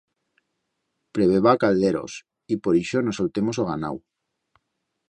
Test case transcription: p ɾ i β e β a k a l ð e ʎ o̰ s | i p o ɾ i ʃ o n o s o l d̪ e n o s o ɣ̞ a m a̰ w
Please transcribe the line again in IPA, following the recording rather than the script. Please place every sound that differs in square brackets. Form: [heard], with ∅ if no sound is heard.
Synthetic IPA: p ɾ [e] β e β a k a l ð e [ɾ] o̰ s | i p o ɾ i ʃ o n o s o l [t̪] e [m] o s o ɣ̞ a [n] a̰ w